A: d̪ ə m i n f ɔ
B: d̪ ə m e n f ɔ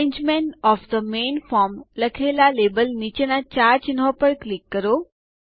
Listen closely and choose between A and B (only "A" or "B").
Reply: B